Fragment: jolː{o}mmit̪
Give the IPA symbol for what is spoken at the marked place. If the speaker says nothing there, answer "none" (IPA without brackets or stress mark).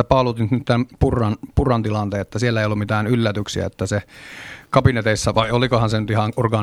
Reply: u